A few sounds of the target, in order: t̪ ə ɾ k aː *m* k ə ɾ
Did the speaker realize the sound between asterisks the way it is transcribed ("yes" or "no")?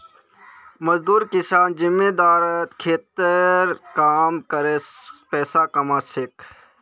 yes